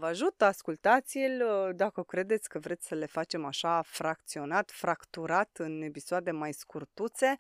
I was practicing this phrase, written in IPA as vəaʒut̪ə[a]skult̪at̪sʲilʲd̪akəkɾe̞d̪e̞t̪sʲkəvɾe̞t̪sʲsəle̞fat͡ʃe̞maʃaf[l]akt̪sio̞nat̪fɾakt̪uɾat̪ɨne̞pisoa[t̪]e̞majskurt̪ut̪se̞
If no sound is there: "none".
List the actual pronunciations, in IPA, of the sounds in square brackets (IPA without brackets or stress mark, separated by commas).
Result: a, ɾ, d̪